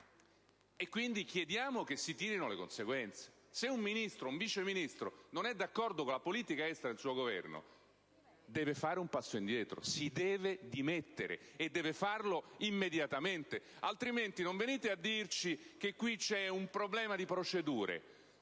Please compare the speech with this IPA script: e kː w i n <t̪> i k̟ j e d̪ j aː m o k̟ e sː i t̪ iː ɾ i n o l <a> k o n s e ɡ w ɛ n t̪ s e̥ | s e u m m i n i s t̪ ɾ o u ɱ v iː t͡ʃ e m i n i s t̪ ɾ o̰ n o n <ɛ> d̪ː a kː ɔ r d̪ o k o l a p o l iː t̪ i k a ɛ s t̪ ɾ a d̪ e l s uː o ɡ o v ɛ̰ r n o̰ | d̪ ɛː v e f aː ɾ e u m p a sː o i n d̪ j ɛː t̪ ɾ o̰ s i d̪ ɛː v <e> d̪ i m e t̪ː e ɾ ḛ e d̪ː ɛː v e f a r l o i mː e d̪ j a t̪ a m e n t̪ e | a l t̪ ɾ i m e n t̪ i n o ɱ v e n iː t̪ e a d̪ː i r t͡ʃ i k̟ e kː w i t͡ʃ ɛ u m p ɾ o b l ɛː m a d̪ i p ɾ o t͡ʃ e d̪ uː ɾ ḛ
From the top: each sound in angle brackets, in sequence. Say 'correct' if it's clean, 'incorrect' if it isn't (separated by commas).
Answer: incorrect, incorrect, correct, correct